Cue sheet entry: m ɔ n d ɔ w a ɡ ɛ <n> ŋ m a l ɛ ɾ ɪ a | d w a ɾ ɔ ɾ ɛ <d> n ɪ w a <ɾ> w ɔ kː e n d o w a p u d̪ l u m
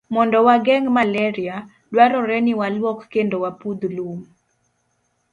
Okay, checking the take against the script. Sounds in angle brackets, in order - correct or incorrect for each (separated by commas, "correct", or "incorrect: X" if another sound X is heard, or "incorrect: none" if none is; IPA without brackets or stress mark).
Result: incorrect: none, incorrect: none, incorrect: l